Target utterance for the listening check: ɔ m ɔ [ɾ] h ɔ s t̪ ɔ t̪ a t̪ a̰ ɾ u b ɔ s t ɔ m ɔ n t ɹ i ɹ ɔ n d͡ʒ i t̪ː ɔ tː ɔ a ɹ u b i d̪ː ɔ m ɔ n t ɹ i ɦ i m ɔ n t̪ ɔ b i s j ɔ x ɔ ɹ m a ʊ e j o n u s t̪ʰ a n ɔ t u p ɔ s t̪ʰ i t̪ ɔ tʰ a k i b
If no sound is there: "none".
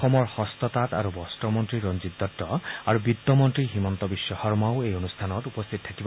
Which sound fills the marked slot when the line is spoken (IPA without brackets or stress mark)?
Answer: ɹ